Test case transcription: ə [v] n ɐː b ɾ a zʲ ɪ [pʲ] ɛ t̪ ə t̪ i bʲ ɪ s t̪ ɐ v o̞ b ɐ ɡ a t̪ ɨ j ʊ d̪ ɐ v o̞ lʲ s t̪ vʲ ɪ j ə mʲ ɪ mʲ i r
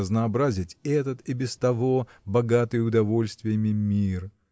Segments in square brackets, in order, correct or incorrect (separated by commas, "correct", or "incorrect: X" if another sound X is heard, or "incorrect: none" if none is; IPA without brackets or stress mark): incorrect: z, incorrect: tʲ